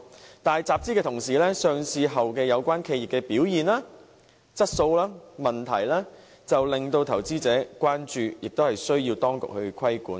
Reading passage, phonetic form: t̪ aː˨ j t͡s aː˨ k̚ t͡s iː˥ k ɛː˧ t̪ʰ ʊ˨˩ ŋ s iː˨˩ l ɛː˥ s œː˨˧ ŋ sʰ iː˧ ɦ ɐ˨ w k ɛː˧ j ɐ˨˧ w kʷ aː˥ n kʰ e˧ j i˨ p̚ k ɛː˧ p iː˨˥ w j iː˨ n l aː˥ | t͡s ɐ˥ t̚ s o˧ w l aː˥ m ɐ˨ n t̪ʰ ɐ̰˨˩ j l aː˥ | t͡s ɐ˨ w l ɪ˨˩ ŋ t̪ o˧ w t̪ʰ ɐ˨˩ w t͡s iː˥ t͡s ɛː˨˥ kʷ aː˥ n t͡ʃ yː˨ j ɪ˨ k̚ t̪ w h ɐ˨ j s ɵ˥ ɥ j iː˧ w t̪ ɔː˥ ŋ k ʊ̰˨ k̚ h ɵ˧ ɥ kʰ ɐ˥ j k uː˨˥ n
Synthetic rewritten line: t̪ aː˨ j t͡s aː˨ p̚ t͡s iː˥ k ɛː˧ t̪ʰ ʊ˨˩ ŋ s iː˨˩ l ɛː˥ s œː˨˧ ŋ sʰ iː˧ ɦ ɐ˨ w k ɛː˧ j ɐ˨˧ w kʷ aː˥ n kʰ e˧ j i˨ p̚ k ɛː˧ p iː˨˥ w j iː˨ n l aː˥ | t͡s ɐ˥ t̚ s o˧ w l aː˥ m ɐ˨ n t̪ʰ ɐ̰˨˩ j l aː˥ | t͡s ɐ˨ w l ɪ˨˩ ŋ t̪ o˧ w t̪ʰ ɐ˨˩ w t͡s iː˥ t͡s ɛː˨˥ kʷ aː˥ n t͡ʃ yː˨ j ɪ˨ k̚ t̪ w h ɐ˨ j s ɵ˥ ɥ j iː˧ w t̪ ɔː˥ ŋ k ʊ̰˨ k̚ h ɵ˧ ɥ kʰ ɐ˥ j k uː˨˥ n